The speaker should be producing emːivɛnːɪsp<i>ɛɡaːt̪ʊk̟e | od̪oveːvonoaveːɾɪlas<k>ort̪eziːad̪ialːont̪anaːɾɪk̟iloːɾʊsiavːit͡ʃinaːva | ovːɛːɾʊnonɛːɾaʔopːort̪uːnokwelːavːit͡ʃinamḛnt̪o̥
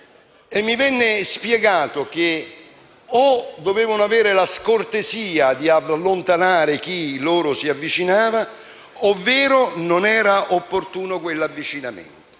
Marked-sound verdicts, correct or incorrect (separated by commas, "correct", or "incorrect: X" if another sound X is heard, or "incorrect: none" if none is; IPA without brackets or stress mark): incorrect: j, correct